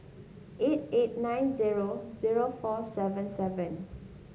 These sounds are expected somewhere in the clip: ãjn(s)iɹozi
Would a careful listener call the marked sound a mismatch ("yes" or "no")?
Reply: yes